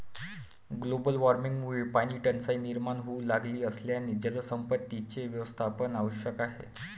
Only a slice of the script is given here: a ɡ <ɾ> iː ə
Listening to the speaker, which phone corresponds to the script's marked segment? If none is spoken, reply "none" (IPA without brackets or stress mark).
l